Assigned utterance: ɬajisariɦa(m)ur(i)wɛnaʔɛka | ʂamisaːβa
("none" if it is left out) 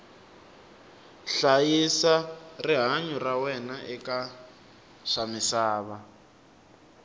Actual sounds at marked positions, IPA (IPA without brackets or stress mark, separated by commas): ɲ, a